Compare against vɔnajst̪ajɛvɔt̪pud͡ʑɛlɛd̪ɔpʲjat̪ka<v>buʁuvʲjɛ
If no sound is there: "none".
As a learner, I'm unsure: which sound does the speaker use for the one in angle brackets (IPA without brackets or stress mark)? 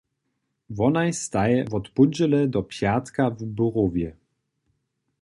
v